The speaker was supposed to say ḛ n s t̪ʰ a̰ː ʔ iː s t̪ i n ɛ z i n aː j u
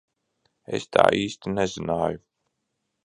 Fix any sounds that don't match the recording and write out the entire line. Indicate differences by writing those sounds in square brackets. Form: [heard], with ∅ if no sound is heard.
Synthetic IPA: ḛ [∅] s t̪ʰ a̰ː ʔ iː s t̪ i n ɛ z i n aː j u